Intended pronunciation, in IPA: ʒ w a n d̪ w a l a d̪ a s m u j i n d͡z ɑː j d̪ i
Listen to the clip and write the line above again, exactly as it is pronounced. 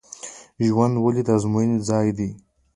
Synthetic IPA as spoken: ʒ w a n d̪ w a l i d̪ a z m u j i n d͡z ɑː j d̪ i